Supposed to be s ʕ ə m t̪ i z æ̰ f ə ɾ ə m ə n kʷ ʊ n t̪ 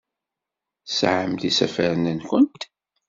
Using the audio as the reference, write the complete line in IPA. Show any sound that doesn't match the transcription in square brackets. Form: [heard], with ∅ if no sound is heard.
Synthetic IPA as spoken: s ʕ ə m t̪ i [s] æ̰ f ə ɾ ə [n] ə n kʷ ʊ n t̪